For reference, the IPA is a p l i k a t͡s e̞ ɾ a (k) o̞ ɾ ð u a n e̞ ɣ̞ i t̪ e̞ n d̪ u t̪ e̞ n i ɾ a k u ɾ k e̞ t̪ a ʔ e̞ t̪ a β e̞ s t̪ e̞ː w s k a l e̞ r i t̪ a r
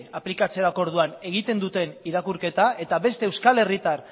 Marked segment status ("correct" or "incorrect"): correct